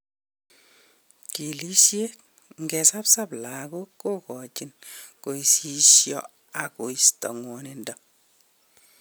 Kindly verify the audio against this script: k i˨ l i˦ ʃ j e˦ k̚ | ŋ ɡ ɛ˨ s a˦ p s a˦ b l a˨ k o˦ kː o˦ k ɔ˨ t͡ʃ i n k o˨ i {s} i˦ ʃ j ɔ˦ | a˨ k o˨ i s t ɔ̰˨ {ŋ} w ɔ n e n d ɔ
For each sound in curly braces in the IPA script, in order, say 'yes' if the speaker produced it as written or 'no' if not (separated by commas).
yes, yes